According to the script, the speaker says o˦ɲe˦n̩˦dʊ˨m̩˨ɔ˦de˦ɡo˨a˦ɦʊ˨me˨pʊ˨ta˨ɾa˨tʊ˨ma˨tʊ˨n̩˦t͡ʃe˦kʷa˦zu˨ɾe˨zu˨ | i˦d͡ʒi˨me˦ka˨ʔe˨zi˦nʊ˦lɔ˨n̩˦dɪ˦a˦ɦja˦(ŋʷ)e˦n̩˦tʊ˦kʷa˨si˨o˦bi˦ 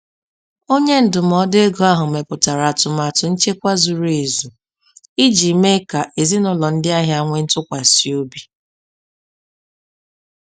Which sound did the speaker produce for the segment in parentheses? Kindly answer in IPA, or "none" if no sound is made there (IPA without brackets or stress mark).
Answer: ŋʷ